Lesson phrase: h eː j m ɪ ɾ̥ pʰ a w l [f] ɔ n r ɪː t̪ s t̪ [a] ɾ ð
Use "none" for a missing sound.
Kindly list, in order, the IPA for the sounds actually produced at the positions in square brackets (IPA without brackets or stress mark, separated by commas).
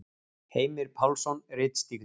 s, i